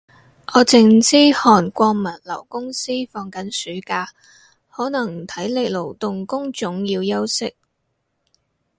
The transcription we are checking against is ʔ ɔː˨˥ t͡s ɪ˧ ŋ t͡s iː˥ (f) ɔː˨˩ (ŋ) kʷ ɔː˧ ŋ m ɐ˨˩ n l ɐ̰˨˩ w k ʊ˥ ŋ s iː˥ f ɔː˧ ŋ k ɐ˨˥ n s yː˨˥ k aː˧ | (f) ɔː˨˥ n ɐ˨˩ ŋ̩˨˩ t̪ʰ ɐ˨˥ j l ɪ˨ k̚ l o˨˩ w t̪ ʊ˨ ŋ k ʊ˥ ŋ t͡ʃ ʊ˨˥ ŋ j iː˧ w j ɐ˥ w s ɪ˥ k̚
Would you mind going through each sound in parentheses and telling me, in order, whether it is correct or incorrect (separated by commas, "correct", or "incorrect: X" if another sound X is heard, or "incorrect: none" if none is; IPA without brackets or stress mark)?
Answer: incorrect: h, incorrect: n, incorrect: h